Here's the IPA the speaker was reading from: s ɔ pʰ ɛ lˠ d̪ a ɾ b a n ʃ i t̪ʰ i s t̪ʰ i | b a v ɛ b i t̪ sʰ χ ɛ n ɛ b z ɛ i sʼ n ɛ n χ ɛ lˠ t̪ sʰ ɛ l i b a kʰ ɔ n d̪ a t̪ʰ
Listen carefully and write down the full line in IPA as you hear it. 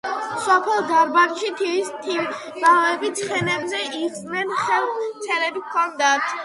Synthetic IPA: s ɔ pʰ ɛ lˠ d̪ a ɾ b a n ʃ i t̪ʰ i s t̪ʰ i | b a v ɛ b i t̪ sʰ χ ɛ n ɛ b z ɛ i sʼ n ɛ n χ ɛ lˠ t̪ sʰ ɛ l ɛ b i kʰ ɔ n d̪ a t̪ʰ